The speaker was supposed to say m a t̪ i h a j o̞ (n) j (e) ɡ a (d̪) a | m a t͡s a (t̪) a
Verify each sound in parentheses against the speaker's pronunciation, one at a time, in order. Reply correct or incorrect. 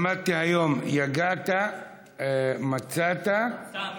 incorrect: m, incorrect: a, incorrect: t̪, correct

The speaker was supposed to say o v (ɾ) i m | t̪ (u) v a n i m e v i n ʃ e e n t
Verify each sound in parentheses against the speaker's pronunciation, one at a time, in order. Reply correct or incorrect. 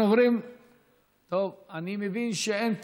correct, incorrect: o

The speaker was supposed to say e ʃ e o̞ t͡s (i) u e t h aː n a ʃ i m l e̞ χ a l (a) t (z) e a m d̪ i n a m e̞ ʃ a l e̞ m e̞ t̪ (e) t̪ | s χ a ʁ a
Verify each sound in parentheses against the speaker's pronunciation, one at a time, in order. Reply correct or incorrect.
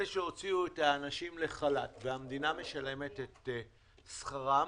correct, correct, incorrect: v, correct

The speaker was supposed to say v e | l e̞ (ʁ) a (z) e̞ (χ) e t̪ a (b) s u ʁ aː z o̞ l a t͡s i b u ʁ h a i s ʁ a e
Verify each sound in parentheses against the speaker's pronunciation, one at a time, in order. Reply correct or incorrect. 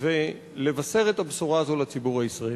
incorrect: v, incorrect: s, incorrect: ʁ, correct

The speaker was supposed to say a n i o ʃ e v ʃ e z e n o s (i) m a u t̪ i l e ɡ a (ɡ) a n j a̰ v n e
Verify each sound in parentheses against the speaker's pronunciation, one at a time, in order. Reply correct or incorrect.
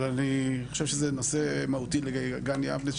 incorrect: e, correct

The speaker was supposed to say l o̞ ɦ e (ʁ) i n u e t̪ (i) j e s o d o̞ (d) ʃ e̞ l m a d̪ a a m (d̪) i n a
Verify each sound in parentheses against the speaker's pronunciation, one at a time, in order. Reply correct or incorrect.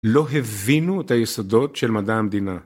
incorrect: v, incorrect: a, incorrect: t, correct

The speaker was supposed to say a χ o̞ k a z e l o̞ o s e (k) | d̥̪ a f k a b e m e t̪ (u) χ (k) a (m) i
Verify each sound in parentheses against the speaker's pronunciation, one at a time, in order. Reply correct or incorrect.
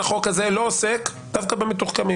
correct, correct, correct, correct

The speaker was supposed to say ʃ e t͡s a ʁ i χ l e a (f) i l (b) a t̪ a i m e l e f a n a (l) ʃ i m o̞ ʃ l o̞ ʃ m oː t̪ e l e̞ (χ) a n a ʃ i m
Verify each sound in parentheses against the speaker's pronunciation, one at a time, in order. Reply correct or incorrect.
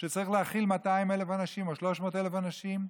incorrect: χ, incorrect: m, incorrect: none, incorrect: f

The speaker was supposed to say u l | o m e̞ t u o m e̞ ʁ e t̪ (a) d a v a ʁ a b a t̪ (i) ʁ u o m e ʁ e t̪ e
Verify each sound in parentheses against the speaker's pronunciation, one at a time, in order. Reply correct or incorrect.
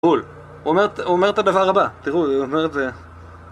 correct, correct

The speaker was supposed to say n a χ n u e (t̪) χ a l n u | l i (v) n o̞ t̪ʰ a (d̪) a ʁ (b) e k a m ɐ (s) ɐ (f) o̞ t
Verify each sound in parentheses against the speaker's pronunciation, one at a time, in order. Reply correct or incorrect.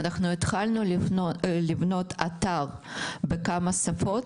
correct, correct, incorrect: t̪, correct, correct, correct

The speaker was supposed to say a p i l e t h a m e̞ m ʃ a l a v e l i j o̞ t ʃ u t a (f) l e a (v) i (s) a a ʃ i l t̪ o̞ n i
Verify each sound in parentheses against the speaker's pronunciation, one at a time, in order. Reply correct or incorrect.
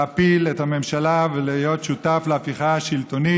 correct, incorrect: f, incorrect: χ

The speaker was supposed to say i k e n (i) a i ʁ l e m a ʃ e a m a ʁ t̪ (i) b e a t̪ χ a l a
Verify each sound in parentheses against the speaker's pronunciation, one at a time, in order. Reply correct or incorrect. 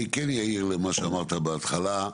incorrect: j, incorrect: a

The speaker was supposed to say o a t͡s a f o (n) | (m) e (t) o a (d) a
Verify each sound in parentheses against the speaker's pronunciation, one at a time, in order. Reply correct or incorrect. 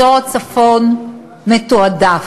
correct, correct, correct, correct

